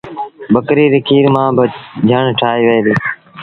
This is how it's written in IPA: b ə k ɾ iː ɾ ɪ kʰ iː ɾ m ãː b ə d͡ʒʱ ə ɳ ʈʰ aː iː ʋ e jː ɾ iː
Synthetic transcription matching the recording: b ə k ɾ iː ɾ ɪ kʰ iː ɾ m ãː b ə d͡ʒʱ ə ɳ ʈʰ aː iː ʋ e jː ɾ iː